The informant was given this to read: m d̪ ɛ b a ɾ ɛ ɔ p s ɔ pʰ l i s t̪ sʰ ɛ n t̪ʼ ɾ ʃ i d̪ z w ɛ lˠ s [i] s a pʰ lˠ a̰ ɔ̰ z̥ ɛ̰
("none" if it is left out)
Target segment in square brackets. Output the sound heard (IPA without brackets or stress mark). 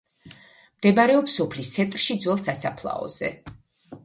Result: a